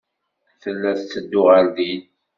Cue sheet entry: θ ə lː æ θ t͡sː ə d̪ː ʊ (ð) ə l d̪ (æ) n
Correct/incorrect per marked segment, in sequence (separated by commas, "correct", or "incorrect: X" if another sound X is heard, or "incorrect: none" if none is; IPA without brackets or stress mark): incorrect: ʁ, incorrect: i